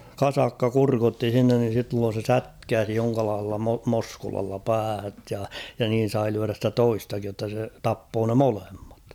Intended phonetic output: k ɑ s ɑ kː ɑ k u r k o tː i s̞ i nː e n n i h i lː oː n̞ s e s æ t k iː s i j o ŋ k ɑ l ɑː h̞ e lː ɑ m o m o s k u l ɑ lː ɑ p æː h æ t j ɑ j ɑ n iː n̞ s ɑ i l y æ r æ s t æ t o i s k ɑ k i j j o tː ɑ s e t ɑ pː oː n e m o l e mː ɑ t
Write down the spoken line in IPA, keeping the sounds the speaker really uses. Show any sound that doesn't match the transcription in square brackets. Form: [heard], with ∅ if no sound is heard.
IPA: k ɑ s ɑ kː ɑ k u r k o tː i s̞ i nː e n n i [s] i lː oː n̞ s e s æ t k [æː] s i j o ŋ k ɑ l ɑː h̞ e lː ɑ m o m o s k u l ɑ lː ɑ p æː h æ t j ɑ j ɑ n iː n̞ s ɑ i l y æ r æ s t æ t o i s [t] ɑ k i j j o tː ɑ s e t ɑ pː oː n e m o l e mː ɑ t